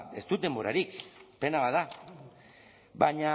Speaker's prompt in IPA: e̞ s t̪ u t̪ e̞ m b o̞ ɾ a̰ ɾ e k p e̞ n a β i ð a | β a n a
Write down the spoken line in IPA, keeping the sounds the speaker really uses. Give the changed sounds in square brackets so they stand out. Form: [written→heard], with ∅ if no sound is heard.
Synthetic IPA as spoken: e̞ s t̪ u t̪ e̞ m b o̞ ɾ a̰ ɾ [e→i] k p e̞ n a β [i→a] ð a | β a [n→ɲ] a